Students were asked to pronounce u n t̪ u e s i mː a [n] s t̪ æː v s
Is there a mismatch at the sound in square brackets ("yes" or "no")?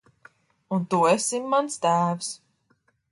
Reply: no